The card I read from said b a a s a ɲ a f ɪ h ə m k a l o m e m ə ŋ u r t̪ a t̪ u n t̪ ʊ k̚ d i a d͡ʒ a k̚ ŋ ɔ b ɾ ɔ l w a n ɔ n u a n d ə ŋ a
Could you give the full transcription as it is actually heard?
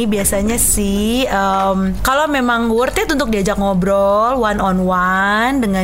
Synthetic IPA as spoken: b i a s a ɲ a s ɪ h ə m k a l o m e m a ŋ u r t̪ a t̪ u n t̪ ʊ k̚ d i a d͡ʒ a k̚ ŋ ɔ b ɾ ɔ l w a n ɔ n w a n d ə ŋ a